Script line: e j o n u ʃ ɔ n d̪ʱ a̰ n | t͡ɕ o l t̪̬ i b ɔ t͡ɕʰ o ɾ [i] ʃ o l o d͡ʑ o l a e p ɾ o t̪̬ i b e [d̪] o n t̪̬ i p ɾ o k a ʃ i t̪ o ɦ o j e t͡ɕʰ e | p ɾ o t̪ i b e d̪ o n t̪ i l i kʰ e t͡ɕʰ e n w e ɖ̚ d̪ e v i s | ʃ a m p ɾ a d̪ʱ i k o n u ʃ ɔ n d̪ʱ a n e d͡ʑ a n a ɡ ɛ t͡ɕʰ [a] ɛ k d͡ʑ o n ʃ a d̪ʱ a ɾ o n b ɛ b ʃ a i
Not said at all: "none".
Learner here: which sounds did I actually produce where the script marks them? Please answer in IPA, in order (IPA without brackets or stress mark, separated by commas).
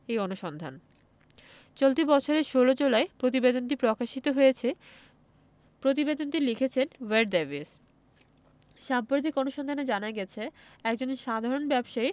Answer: e, d̪, e